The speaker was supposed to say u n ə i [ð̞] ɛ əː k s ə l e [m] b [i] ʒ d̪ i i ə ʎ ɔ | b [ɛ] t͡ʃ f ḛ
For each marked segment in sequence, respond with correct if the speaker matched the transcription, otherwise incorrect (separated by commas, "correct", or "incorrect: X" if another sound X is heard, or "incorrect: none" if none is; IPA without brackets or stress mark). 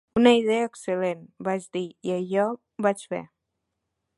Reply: correct, incorrect: n, incorrect: a, incorrect: a